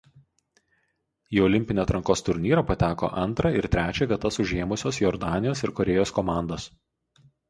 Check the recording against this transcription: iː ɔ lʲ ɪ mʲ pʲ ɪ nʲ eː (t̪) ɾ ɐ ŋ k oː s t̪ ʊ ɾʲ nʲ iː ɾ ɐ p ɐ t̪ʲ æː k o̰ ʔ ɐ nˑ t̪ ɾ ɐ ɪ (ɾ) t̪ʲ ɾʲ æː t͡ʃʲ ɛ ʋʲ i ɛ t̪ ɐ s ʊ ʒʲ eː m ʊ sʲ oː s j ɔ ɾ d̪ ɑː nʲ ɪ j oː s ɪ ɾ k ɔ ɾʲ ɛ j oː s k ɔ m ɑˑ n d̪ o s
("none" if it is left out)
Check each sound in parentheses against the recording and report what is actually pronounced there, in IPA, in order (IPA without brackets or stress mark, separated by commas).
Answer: t̪, ɾ